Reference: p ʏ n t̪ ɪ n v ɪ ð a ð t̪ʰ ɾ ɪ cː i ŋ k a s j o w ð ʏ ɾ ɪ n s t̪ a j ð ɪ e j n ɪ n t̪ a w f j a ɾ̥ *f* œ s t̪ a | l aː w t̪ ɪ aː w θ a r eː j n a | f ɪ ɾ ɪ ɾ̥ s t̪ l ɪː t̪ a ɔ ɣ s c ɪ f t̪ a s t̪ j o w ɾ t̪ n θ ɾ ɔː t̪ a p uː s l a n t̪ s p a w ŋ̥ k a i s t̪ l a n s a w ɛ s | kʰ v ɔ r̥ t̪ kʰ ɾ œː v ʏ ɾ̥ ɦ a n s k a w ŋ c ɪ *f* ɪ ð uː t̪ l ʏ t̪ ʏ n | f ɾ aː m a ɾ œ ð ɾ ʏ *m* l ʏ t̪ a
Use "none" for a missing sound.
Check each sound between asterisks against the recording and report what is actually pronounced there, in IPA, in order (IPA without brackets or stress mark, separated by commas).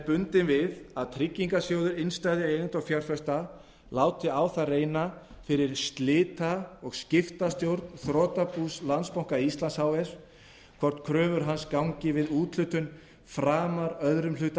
f, v, m